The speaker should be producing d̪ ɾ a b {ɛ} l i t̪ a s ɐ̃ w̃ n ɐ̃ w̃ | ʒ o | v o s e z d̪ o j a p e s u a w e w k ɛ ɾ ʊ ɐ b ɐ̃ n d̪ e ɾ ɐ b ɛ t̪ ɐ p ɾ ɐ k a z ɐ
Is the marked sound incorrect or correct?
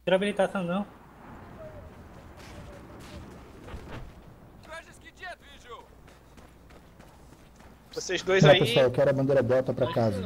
incorrect